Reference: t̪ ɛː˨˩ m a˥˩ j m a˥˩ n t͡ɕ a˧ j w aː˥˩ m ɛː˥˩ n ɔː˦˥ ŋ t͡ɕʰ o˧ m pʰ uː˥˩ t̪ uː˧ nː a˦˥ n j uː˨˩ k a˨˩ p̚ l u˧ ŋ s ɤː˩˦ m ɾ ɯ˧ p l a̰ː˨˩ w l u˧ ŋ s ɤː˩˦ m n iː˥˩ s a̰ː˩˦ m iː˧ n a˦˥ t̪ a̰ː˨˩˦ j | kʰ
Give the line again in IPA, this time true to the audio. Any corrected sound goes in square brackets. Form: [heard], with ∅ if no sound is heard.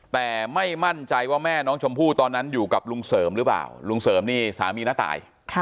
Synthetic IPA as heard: t̪ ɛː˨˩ m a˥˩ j m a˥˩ n t͡ɕ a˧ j w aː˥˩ m ɛː˥˩ n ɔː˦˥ ŋ t͡ɕʰ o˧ m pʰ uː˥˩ t̪ [ɔː˧] nː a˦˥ n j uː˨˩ k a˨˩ p̚ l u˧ ŋ s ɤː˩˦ m ɾ [ɯ˦˥] p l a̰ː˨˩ w l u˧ ŋ s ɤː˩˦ m n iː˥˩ s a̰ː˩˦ m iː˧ n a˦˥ t̪ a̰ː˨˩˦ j | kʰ